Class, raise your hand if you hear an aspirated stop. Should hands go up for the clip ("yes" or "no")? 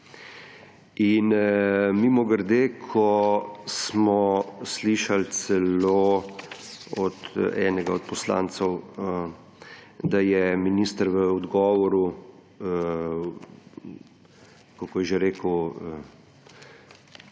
yes